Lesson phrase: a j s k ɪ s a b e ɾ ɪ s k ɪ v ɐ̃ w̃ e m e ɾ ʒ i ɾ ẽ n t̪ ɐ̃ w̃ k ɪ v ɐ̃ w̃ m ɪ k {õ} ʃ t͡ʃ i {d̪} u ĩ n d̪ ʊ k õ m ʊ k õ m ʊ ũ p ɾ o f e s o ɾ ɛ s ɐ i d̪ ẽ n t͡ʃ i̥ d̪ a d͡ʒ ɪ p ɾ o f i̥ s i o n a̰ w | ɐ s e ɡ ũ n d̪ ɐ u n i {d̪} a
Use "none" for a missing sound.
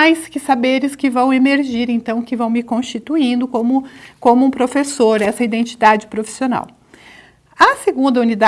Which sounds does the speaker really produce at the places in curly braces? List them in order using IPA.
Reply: õ, t̪, d̪

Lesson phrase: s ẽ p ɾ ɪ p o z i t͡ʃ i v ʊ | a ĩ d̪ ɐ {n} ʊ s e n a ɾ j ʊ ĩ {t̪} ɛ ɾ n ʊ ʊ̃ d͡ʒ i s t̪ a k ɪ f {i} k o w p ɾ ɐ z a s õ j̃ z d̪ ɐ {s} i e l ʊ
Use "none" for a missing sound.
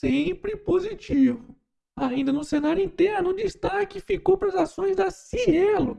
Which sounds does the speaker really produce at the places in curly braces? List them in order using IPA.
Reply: n, t̪, i, s

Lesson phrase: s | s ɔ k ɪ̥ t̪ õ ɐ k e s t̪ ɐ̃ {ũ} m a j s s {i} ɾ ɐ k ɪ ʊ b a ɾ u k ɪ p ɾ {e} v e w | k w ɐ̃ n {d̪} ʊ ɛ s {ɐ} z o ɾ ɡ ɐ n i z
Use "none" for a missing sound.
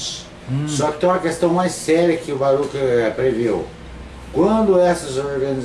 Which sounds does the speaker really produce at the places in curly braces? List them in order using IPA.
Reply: w̃, ɛ, e, d̪, ɐ

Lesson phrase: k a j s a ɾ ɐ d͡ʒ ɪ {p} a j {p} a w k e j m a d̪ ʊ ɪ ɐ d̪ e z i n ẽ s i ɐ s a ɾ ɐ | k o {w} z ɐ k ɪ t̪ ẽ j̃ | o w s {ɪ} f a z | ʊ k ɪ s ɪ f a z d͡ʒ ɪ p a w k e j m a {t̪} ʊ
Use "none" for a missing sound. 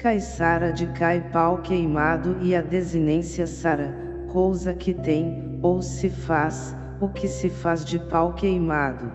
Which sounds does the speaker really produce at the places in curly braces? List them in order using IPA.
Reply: k, p, w, ɪ, d̪

